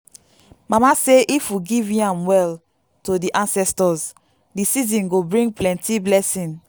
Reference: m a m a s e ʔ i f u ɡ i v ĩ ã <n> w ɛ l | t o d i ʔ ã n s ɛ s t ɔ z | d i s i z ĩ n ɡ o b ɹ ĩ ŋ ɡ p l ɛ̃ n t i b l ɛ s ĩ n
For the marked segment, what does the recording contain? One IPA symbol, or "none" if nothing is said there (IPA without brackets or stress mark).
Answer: m